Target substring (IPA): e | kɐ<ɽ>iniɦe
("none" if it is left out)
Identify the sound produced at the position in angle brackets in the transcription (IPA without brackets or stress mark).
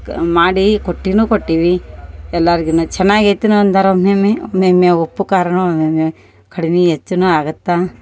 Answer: ɽ